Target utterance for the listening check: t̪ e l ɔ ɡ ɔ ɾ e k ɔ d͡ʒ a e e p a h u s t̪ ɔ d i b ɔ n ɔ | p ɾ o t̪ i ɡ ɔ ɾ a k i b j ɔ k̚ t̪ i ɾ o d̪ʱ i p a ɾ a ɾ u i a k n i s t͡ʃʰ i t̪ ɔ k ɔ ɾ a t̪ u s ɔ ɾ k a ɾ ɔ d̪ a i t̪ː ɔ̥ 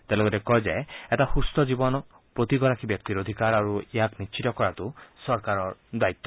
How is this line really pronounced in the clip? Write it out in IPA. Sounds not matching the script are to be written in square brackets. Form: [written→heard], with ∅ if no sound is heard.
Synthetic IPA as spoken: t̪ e l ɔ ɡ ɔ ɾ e k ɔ d͡ʒ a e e [p→t] a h u s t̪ ɔ [d→d͡ʒ] i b ɔ n ɔ | p ɾ o t̪ i ɡ ɔ ɾ a k i b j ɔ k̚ t̪ i ɾ o d̪ʱ i [p→k] a ɾ a ɾ u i a k n i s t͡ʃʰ i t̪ ɔ k ɔ ɾ a t̪ u s ɔ ɾ k a ɾ ɔ d̪ a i t̪ː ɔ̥